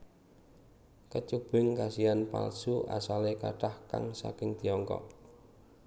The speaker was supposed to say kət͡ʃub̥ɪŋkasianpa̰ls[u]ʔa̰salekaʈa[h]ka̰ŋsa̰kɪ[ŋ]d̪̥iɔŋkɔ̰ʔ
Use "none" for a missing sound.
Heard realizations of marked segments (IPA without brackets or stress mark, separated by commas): u, h, ŋ